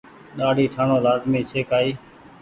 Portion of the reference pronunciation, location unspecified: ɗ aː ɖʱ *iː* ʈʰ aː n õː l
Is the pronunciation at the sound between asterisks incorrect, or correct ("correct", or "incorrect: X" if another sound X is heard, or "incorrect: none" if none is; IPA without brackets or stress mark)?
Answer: correct